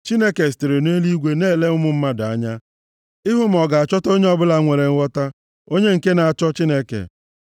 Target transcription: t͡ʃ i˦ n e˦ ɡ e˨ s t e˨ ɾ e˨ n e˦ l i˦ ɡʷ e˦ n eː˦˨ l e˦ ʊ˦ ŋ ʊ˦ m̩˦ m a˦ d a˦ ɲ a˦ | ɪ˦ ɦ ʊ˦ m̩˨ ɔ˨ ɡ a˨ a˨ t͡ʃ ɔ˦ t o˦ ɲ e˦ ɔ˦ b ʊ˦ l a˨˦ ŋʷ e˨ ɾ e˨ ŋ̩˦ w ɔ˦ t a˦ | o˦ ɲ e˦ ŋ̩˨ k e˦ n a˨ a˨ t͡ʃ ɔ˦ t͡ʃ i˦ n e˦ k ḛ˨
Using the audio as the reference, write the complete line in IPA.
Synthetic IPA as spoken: t͡ʃ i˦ n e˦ k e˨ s t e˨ ɾ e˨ n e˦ l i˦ ɡʷ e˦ n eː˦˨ l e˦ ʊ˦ m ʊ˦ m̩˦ m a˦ d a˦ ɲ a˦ | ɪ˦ ɦ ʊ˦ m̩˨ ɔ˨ ɡ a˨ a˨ t͡ʃ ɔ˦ t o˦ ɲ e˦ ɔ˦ b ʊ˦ l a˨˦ ŋʷ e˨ ɾ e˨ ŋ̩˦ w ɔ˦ t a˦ | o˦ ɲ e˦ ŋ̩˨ k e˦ n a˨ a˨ t͡ʃ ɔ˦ t͡ʃ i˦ n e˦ k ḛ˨